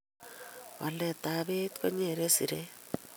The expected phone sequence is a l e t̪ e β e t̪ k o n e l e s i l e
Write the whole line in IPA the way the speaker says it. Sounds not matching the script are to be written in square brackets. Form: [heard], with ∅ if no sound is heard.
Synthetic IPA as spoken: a l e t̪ [a] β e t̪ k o [ɲ] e [ɾ] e s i [ɾ] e